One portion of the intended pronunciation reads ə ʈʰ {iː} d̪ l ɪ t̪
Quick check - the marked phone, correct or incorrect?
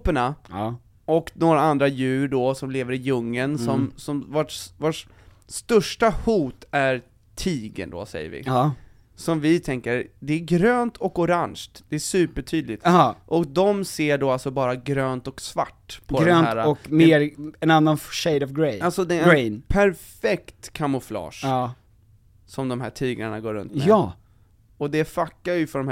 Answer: incorrect